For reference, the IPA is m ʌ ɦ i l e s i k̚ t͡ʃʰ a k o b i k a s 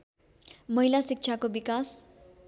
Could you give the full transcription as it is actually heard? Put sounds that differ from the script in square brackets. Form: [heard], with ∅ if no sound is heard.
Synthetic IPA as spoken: m ʌ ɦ i l [a] s i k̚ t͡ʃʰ a k o b i k a s